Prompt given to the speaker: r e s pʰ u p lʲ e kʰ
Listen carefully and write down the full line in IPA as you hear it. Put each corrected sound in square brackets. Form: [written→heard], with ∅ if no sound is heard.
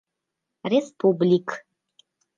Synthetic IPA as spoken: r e s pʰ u [p→b] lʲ [e→i] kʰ